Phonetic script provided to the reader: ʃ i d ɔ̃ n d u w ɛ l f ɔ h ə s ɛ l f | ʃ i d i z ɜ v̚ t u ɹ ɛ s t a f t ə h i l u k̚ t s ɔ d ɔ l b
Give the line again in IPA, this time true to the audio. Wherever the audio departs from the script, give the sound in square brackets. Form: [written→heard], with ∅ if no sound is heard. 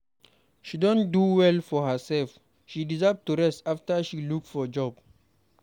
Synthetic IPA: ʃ i d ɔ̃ n d u w ɛ l f ɔ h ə s ɛ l f | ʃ i d i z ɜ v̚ t u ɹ ɛ s t a f t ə [h→ʃ] i l u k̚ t [s→f] ɔ [d→d͡ʒ] ɔ [l→∅] b